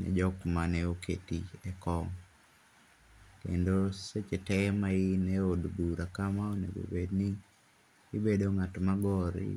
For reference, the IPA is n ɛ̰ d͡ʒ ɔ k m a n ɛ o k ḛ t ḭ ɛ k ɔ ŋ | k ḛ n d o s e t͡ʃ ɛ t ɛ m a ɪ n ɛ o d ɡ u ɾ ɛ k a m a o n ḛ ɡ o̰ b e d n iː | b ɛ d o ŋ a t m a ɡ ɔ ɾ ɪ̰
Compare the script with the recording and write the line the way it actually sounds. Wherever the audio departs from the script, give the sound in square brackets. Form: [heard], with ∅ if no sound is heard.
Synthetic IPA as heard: n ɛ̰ d͡ʒ ɔ k m a n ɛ o k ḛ t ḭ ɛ k ɔ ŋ | k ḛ n d o s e t͡ʃ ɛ t ɛ m a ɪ n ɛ o d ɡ u ɾ [a] k a m a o n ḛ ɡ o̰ b e d n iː | b [e] d o ŋ a t m a ɡ ɔ ɾ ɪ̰